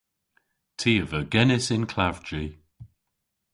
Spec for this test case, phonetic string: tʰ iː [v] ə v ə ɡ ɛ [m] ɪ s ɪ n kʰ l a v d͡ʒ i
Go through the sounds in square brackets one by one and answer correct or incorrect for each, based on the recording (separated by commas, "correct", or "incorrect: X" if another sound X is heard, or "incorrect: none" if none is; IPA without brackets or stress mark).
incorrect: none, incorrect: n